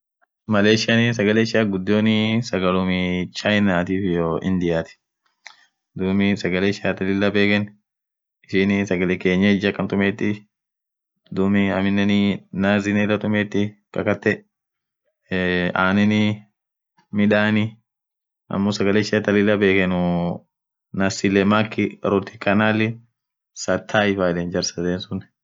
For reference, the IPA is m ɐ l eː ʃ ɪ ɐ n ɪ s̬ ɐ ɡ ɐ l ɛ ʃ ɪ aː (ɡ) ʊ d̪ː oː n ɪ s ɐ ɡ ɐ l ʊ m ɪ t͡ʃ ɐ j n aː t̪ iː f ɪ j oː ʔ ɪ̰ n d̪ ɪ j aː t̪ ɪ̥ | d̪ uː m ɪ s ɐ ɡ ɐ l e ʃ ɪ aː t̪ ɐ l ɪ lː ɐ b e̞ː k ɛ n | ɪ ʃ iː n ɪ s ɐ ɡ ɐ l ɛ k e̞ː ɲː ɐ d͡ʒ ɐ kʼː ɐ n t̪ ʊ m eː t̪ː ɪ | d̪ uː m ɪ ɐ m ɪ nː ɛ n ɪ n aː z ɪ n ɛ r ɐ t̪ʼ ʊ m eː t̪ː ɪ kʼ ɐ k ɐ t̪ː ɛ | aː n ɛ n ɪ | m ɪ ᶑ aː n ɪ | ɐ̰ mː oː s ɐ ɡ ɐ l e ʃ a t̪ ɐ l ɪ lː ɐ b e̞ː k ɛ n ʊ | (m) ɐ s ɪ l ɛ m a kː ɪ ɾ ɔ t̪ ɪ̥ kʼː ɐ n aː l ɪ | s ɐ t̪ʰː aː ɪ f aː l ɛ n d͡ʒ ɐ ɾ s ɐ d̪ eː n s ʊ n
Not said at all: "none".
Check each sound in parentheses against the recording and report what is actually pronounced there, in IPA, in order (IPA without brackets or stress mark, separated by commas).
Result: ɡ, n